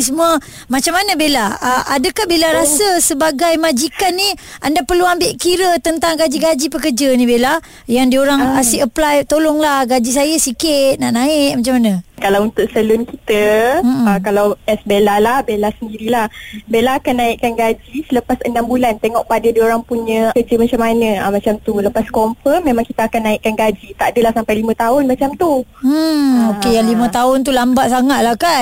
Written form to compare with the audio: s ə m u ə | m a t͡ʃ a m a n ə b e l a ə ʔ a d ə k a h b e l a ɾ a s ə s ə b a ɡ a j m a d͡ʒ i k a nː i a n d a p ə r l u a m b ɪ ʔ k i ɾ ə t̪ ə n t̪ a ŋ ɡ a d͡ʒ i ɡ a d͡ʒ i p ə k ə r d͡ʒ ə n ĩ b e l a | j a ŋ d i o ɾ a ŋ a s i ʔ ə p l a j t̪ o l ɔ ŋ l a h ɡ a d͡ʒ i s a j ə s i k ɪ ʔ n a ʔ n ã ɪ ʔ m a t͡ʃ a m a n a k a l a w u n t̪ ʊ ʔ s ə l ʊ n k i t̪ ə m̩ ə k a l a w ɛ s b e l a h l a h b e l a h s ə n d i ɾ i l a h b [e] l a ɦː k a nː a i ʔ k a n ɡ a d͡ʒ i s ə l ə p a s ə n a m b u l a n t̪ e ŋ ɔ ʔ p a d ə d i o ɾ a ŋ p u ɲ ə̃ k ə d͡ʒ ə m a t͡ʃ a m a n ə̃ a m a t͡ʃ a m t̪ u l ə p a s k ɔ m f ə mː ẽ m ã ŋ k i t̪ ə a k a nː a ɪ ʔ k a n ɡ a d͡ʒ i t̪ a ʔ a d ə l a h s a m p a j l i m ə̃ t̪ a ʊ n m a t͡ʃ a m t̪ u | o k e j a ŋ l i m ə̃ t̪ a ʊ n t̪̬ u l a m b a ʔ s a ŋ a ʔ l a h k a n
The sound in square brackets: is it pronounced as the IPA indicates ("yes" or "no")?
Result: yes